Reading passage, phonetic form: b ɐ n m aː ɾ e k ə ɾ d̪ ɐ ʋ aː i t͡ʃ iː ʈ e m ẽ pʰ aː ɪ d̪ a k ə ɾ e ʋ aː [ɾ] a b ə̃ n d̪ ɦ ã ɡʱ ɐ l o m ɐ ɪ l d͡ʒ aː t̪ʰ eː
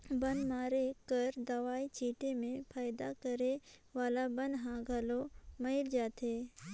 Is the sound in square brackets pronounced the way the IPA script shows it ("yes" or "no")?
no